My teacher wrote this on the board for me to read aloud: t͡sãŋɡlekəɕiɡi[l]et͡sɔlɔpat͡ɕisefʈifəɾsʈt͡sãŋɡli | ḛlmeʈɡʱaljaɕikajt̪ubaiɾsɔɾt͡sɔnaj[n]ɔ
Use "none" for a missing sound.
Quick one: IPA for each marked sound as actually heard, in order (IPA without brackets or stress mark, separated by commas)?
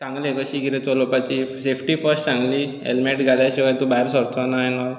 ɾ, n